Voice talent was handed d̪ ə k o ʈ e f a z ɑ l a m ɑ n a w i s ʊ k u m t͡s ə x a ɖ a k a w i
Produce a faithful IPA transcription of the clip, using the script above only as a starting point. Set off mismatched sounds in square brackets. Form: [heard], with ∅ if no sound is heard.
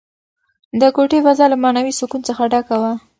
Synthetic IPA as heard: d̪ ə k o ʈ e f a z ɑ l a m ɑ n a w i s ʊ k u [n] t͡s ə x a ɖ a k a w [a]

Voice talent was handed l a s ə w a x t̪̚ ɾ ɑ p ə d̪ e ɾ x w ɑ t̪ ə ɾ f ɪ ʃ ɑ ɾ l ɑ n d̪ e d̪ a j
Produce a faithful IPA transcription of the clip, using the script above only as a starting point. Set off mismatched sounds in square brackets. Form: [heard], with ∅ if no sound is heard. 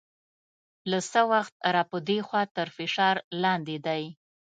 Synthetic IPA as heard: l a s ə w a x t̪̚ ɾ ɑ p ə d̪ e [∅] x w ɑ t̪ ə ɾ f ɪ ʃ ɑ ɾ l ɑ n d̪ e d̪ a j

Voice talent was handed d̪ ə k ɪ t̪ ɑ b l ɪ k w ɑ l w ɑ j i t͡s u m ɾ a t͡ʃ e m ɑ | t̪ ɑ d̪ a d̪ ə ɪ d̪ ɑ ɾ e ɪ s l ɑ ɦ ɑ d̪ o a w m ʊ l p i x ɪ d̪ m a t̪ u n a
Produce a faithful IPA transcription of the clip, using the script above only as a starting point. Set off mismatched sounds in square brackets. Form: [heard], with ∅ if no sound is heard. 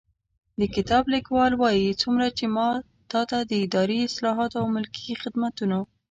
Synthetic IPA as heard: d̪ ə k ɪ t̪ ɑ b l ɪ k w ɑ l w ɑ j i t͡s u m ɾ a t͡ʃ e m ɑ | t̪ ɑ [t̪] a d̪ ə ɪ d̪ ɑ ɾ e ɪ s l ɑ ɦ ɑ [t̪] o a w m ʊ l [k] i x ɪ d̪ m a t̪ u n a

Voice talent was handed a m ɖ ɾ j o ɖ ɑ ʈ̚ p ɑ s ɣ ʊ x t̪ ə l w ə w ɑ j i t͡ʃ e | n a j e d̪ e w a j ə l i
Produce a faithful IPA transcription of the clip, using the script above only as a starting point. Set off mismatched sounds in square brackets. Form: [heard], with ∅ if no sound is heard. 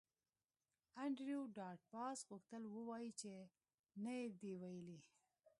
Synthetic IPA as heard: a [ɳ] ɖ ɾ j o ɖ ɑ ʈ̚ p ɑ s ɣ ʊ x t̪ ə l w ə w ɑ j i t͡ʃ e | n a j e d̪ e w a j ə l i

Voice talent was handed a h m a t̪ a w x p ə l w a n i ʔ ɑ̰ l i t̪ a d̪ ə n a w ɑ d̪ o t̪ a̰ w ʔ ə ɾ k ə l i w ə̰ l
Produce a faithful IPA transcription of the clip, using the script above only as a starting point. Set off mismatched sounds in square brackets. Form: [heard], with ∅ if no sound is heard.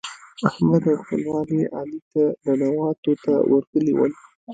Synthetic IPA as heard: a h m a [d̪] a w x p ə l w [ɑ] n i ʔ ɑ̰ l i t̪ a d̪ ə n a w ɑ [t̪] o t̪ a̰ w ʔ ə ɾ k ə l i w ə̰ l

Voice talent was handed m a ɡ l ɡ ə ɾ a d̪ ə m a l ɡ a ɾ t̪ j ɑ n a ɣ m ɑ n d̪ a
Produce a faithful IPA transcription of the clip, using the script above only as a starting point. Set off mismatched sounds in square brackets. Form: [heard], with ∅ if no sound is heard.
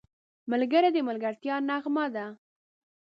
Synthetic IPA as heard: m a [∅] l ɡ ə ɾ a d̪ ə m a l ɡ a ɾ t̪ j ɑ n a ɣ m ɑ [∅] d̪ a

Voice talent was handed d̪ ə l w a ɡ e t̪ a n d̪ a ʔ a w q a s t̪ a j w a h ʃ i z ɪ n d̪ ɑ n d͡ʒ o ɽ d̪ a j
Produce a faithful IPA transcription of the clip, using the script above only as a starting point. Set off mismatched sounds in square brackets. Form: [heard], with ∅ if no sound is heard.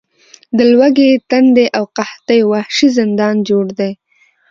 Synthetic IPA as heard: d̪ ə l w a ɡ e t̪ a n d̪ [e] ʔ a w q a [h] t̪ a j w a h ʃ i z ɪ n d̪ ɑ n d͡ʒ o ɽ d̪ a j

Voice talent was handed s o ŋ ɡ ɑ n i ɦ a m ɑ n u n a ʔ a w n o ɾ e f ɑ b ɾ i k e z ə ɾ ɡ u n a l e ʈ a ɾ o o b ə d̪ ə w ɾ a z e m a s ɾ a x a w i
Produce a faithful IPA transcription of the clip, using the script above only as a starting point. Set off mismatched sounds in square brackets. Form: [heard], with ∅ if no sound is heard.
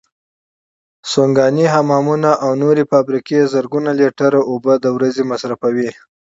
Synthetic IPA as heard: s o ŋ ɡ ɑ n i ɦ a m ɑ [m] u n a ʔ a w n o ɾ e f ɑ b ɾ i k e z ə ɾ ɡ u n a l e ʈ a ɾ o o b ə d̪ ə w ɾ a z e m a s ɾ a [f] a w i

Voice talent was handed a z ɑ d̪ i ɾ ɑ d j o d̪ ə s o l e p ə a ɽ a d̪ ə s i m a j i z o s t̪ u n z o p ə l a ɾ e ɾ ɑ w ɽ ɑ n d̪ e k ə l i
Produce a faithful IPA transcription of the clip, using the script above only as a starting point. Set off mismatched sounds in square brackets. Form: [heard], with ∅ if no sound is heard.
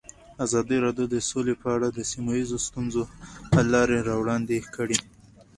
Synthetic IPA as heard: a z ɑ d̪ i ɾ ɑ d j o d̪ ə s o l e p ə a ɽ a d̪ ə s i m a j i z o s t̪ u n z o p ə l [ɑ] ɾ e ɾ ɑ w ɽ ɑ n d̪ e k ə [ɽ] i

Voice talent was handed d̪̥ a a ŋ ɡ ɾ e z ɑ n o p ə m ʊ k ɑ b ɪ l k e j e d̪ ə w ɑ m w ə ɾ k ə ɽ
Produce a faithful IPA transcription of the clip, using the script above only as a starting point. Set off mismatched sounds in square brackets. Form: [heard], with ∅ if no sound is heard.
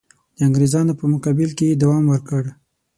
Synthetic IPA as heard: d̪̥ [ə] a ŋ ɡ ɾ e z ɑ n o p ə m ʊ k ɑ b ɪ l k e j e d̪ [a] w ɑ m w ə ɾ k ə ɽ

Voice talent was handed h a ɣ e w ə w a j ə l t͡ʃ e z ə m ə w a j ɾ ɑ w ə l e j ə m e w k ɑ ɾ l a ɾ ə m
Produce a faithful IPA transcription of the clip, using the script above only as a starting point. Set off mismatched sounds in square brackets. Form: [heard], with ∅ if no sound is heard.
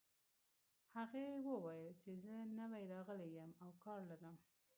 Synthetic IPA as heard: h a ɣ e w ə w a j ə l t͡ʃ e z ə [n] ə w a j ɾ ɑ [ɣ] ə l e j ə m [a] w k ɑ ɾ l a ɾ ə m

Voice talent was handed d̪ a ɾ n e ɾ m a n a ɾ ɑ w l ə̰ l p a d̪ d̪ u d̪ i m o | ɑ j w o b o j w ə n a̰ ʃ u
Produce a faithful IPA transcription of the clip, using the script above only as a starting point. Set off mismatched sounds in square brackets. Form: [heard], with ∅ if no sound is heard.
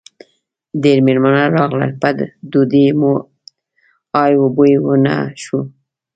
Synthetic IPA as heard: d̪ [e] ɾ [m] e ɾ m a n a ɾ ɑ [ɣ] l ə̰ l p a d̪ d̪ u d̪ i m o | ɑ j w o b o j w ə n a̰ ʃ u

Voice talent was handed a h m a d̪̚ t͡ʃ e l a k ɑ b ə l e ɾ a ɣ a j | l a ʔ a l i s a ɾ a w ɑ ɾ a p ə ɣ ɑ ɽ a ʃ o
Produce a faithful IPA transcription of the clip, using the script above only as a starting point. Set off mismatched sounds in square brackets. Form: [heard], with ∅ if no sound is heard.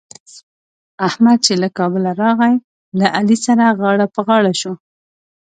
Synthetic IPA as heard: a h m a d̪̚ t͡ʃ e l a k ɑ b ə l [a] ɾ [ɑ] ɣ a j | l a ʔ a l i s a ɾ a [ɣ] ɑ [ɽ] a p ə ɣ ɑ ɽ a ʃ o

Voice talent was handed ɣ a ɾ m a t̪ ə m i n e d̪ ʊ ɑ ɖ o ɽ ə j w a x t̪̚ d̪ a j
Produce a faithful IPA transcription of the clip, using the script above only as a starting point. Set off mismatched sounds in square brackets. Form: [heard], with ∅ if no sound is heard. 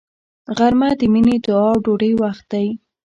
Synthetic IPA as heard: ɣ a ɾ m a [d̪] ə m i n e d̪ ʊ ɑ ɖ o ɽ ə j w a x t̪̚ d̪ a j

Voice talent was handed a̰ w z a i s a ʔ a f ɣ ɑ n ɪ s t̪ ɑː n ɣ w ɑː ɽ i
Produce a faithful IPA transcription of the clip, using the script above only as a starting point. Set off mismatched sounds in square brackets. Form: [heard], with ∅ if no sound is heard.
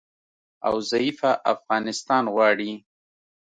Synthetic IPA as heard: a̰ w z a i [f] a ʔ a f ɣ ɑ n ɪ s t̪ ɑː n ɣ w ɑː ɽ i

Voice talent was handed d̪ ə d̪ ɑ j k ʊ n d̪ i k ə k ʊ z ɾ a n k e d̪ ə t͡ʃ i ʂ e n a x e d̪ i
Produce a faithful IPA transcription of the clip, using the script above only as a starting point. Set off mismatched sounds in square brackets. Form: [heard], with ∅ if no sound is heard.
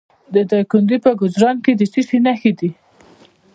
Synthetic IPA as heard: d̪ ə d̪ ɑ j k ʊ n d̪ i [p] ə [ɡ] ʊ z ɾ [ɑ] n k e d̪ ə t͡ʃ i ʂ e n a x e d̪ i

